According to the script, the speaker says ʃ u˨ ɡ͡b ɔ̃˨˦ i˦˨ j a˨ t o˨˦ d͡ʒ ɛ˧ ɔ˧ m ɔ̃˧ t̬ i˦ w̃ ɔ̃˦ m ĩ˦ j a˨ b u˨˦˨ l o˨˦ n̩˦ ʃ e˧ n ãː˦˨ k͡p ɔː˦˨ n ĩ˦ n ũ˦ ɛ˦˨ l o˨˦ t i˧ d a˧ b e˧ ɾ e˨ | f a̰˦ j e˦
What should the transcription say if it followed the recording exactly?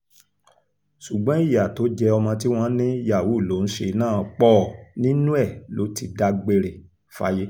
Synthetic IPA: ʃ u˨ ɡ͡b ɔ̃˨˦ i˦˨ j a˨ t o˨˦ d͡ʒ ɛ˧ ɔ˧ m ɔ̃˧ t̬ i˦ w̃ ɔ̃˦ n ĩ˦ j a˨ w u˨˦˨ l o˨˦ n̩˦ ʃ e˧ n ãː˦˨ k͡p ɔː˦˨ n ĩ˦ n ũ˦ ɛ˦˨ l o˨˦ t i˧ d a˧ ɡ͡b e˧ ɾ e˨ | f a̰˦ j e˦

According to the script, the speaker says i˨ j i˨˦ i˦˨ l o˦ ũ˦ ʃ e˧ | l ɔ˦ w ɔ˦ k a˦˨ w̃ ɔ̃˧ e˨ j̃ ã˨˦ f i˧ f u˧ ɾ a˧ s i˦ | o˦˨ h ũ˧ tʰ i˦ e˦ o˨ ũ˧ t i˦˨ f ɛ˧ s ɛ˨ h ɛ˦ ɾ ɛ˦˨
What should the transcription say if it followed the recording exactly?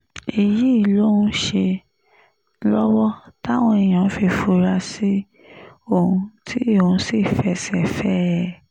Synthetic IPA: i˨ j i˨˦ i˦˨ l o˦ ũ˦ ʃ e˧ | l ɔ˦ w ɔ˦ t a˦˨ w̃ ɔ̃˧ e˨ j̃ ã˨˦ f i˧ f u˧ ɾ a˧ s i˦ | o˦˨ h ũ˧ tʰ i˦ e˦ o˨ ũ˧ s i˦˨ f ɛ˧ s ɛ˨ f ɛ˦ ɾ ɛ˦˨

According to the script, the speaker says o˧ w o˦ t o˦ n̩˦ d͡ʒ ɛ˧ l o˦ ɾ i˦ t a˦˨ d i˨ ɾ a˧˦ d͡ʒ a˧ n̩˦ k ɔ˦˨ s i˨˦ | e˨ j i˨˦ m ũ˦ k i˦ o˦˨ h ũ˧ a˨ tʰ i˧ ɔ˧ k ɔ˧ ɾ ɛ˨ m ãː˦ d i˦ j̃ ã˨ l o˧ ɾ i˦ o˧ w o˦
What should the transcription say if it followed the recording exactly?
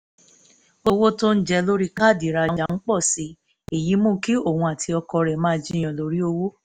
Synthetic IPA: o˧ w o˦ t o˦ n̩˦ d͡ʒ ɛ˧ l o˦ ɾ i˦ k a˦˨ d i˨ ɾ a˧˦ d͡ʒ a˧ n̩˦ k͡p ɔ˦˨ s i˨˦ | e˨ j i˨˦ m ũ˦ k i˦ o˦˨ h ũ˧ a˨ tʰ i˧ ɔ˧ k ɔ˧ ɾ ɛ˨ m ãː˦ d͡ʒ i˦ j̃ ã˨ l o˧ ɾ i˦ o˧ w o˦

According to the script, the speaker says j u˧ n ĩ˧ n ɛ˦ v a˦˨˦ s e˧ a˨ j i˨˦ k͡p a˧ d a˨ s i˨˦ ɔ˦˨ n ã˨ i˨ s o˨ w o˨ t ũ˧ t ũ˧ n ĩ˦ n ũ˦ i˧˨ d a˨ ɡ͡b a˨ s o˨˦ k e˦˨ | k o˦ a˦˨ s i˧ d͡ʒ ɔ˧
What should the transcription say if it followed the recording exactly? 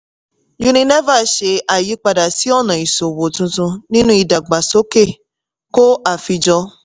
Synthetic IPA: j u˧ n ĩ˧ n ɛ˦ v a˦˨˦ ʃ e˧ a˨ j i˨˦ k͡p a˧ d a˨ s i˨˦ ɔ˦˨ n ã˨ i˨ s o˨ w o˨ t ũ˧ t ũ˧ n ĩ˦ n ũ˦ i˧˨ d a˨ ɡ͡b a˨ s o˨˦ k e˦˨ | k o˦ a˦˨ f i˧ d͡ʒ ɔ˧

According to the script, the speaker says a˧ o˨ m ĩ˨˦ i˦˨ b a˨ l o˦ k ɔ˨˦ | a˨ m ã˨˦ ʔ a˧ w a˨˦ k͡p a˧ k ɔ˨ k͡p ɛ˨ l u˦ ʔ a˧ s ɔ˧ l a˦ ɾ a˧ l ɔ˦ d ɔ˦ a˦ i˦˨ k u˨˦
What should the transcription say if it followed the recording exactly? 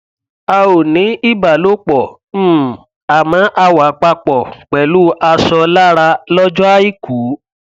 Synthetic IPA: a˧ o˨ n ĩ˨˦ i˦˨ b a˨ l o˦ k͡p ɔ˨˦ | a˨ m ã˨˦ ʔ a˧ w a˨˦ k͡p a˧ k͡p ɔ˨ k͡p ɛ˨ l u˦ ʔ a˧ s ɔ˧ l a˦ ɾ a˧ l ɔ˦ d͡ʒ ɔ˦ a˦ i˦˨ k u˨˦

